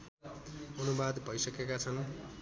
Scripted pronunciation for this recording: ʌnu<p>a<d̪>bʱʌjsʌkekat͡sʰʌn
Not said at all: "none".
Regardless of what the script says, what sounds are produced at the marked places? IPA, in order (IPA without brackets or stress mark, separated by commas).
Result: b, d̪